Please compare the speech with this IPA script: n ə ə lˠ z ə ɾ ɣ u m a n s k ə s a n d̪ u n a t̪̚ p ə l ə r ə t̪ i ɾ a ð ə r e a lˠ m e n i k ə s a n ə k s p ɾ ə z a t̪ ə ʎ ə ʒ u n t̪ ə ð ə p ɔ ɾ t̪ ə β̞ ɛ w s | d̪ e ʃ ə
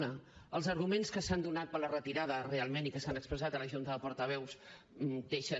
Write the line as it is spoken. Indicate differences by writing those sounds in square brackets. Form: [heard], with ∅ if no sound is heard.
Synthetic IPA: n ə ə lˠ z ə ɾ ɣ u m [e] n s k ə s a n d̪ u n a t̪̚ p ə l ə r ə t̪ i ɾ a ð ə r e a lˠ m e n i k ə s a n ə k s p ɾ ə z a t̪ ə [l] ə ʒ u n t̪ ə ð ə p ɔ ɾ t̪ ə β̞ ɛ w s | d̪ e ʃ ə